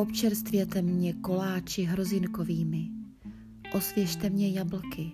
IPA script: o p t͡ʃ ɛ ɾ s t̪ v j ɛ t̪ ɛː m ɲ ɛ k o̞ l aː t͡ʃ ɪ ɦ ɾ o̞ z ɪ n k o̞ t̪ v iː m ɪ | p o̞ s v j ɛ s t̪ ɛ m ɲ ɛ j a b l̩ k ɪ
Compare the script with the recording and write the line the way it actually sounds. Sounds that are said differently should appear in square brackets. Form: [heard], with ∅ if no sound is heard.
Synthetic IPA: o p t͡ʃ ɛ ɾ s t̪ v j ɛ t̪ [ɛ] m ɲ ɛ k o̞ l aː t͡ʃ ɪ ɦ ɾ o̞ z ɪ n k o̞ [∅] v iː m ɪ | [ʔ] o̞ s v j ɛ [ʃ] t̪ ɛ m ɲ ɛ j a b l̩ k ɪ